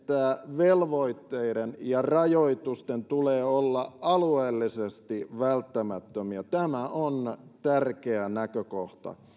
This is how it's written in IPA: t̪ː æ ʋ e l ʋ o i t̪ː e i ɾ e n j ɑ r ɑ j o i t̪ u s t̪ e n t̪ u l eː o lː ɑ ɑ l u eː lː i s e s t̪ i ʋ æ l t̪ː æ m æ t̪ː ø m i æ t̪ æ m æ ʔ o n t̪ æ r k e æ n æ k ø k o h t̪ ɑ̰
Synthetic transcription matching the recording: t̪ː æ ʋ e l ʋ o i t̪ː e i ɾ e n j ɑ r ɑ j o i t̪ u s t̪ e n t̪ u l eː o lː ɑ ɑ l u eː lː i s e s t̪ i ʋ æ l t̪ː æ m æ t̪ː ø m i æ t̪ æ m æ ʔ o n t̪ æ r k e æ n æ k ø k o h t̪ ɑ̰

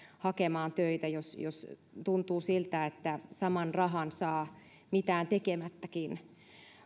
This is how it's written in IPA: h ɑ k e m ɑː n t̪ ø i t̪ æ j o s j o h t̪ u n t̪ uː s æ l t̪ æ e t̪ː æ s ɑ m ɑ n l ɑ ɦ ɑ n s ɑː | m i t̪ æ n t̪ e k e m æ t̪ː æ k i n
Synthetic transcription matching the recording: h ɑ k e m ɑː n t̪ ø i t̪ æ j o s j o s t̪ u n t̪ uː s i l t̪ æ e t̪ː æ s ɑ m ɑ n r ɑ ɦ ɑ n s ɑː | m i t̪ æː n t̪ e k e m æ t̪ː æ k i n

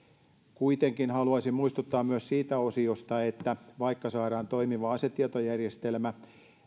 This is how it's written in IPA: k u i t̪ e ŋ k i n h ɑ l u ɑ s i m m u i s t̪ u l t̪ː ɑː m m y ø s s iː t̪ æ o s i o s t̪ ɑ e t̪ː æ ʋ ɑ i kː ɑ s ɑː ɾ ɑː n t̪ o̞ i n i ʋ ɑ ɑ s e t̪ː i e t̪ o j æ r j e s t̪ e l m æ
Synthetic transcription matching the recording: k u i t̪ e ŋ k i n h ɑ l u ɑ s i m m u i s t̪ u t̪ː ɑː m m y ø s s iː t̪ æ o s i o s t̪ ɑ e t̪ː æ ʋ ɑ i kː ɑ s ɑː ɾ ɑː n t̪ o̞ i m i ʋ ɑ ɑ s e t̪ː i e t̪ o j æ r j e s t̪ e l m æ

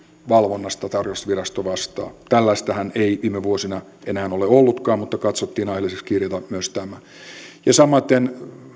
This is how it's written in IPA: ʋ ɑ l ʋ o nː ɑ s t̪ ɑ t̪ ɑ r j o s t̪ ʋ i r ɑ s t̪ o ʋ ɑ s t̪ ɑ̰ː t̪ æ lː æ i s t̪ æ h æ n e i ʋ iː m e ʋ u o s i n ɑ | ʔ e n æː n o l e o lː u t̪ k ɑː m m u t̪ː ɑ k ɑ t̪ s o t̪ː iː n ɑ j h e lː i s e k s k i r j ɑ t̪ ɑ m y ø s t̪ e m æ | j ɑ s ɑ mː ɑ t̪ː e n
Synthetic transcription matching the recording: ʋ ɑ l ʋ o nː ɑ s t̪ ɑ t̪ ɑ r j o s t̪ ʋ i r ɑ s t̪ o ʋ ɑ s t̪ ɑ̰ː t̪ æ lː æ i s t̪ æ h æ n e i ʋ iː m e ʋ u o s i n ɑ | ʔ e n æː n o l e o lː u t̪ k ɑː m m u t̪ː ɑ k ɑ t̪ s o t̪ː iː n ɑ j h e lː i s e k s k i r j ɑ t̪ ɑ m y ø s t̪ æ m æ | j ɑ s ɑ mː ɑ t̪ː e n

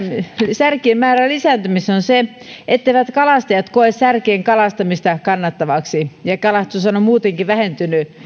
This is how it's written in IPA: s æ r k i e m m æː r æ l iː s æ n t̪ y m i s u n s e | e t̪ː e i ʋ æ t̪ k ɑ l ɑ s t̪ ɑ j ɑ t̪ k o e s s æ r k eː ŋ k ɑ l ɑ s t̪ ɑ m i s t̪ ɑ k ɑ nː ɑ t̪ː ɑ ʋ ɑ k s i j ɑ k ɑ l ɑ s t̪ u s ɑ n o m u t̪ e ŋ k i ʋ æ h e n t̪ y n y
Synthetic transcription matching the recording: s æ r k i e m m æː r æ l i s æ n t̪ y m i s o n s e | e t̪ː e i ʋ æ t̪ k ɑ l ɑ s t̪ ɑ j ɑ t̪ k o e s s æ r k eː ŋ k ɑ l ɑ s t̪ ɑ m i s t̪ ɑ k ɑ nː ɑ t̪ː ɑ ʋ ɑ k s i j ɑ k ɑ l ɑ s t̪ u s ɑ n o m uː t̪ e ŋ k i ʋ æ h e n t̪ y n y

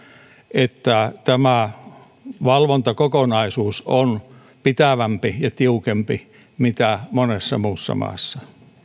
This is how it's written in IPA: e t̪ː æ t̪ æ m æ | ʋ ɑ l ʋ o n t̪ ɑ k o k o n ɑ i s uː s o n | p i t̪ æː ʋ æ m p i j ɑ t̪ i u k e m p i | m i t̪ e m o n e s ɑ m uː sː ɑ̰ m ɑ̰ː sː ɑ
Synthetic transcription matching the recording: e t̪ː æ t̪ æ m æ | ʋ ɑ l ʋ o n t̪ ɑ k o k o n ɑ i s uː s o n | p i t̪ æ ʋ æ m p i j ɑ t̪ i u k e m p i | m i t̪ æ m o n e sː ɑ m uː sː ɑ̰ m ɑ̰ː sː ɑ

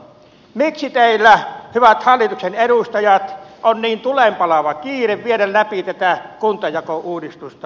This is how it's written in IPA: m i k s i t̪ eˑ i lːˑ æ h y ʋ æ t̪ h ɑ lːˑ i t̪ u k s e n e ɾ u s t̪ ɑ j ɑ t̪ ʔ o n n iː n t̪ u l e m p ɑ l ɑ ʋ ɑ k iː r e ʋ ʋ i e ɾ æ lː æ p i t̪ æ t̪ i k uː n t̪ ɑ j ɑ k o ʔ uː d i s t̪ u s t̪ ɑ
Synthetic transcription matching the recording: m i k s i t̪ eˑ i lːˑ æ h y ʋ æ t̪ h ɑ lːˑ i t̪ u k s e n e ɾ u s t̪ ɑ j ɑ t̪ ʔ o n n iː n t̪ u l e m p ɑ l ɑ ʋ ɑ k iː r e ʋ ʋ i e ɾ æ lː æ p i t̪ æ t̪ æ k u n t̪ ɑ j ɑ k o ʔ uː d i s t̪ u s t̪ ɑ

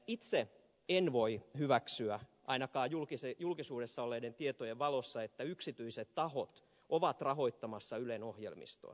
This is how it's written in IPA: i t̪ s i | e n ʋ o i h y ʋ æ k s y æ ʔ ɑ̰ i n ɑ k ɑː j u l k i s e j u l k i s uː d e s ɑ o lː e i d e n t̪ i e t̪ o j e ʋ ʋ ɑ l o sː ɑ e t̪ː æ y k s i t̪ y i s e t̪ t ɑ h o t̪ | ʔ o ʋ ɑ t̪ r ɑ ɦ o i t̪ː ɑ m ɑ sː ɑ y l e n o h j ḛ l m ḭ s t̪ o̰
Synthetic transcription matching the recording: i t̪ s e | e n ʋ o i h y ʋ æ k s y æ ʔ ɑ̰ i n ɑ k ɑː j u l k i s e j u l k i s uː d e sː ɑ o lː e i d e n t̪ i e t̪ o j e ʋ ʋ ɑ l o sː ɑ e t̪ː æ y k s i t̪ y i s e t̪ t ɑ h o t̪ | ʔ o ʋ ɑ t̪ r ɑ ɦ o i t̪ː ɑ m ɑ sː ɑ y l e n o h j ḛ l m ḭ s t̪ o̰

